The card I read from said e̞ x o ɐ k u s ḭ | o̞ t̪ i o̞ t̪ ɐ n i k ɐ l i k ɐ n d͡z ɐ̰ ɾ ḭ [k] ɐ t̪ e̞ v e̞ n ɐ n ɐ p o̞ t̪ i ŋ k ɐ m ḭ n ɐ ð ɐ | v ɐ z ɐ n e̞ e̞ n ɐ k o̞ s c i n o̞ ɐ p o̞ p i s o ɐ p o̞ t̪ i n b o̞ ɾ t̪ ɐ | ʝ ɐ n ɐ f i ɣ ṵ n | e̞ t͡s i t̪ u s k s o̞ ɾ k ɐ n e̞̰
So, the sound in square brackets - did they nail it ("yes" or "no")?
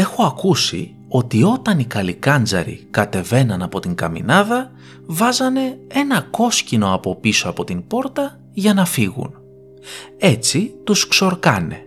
yes